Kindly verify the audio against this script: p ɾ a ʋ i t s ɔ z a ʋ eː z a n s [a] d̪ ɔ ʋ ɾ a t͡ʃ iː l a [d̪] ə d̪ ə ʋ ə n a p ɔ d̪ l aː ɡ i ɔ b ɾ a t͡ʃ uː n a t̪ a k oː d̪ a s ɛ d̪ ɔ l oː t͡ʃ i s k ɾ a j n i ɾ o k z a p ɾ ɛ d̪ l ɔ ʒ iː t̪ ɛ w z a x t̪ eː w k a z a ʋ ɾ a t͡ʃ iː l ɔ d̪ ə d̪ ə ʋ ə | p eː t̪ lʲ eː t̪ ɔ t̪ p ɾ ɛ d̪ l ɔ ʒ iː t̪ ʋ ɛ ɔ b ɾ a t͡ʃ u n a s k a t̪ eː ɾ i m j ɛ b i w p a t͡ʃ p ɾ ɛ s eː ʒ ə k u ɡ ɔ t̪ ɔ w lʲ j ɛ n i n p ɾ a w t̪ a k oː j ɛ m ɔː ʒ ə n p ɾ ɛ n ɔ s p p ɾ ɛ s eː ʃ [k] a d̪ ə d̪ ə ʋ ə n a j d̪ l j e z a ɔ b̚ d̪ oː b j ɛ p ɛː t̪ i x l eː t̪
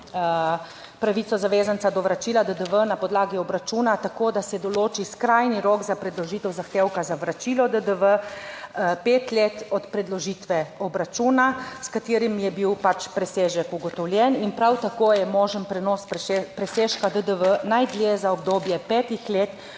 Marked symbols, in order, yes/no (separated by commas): yes, yes, yes